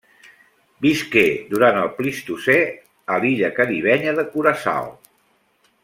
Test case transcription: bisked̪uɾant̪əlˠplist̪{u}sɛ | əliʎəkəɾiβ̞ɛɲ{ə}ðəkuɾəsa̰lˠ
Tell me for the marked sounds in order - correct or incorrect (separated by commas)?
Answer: correct, correct